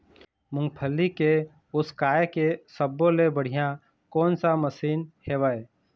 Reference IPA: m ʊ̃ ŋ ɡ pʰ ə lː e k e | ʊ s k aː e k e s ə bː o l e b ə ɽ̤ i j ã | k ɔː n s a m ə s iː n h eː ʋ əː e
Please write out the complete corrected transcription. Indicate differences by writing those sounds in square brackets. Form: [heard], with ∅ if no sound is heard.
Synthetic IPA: m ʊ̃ ŋ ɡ pʰ ə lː [i] k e | ʊ s k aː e k e s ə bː o l e b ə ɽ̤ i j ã | k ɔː n s a m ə s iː n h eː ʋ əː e